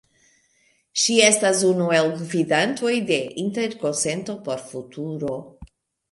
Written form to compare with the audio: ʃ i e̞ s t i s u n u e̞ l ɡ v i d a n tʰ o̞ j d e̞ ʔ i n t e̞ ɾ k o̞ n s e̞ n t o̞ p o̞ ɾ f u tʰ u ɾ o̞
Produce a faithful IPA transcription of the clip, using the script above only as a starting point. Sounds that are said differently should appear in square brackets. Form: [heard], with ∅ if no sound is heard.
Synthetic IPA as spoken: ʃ i e̞ s t [a] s u n u e̞ l ɡ v i d a n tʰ o̞ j d e̞ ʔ i n t e̞ ɾ k o̞ n s e̞ n t o̞ p o̞ ɾ f u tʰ u ɾ o̞